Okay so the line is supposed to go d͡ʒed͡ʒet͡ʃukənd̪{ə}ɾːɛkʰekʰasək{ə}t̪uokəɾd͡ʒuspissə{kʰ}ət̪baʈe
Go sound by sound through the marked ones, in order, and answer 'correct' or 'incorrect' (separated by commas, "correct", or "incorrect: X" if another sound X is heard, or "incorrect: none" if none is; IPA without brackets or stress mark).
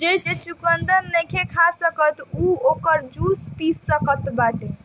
correct, correct, incorrect: k